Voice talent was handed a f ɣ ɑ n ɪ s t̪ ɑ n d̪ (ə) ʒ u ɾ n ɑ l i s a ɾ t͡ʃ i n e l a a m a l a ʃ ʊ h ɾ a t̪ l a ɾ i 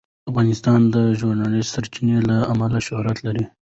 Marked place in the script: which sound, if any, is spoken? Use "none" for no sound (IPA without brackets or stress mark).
ə